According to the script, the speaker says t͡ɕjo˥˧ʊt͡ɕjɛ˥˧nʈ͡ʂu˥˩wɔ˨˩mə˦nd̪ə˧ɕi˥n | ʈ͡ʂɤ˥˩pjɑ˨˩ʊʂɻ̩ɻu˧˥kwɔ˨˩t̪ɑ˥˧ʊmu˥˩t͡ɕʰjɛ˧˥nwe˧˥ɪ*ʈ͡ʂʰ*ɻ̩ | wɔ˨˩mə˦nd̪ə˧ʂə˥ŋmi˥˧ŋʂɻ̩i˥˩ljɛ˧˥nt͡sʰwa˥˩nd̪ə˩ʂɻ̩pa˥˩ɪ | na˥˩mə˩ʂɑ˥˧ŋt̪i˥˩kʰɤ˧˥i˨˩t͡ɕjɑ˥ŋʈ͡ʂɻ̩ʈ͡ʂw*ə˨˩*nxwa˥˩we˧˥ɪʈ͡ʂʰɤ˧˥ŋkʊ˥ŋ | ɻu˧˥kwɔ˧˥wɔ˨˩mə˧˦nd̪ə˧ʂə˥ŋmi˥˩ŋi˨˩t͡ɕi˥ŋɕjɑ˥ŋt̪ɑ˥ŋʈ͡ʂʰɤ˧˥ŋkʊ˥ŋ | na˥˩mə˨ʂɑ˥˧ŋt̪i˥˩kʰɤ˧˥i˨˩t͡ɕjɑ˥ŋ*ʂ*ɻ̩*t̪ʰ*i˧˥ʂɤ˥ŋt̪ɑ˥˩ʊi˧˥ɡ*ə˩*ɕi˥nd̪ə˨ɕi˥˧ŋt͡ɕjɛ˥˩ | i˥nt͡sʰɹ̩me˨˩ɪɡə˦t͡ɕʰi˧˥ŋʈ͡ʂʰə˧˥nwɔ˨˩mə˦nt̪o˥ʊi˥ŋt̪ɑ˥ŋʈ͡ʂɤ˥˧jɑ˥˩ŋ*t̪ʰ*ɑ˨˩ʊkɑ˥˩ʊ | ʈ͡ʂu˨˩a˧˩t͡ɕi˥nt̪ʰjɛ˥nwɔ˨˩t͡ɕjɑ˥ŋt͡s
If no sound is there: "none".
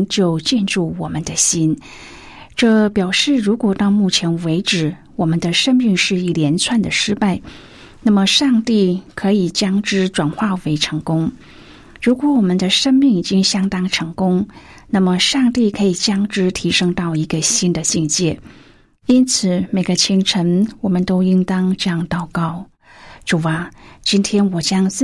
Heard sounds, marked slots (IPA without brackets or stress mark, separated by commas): ʈ͡ʂ, a˨˩, ʈ͡ʂ, t̪ʰ, ə˧, t̪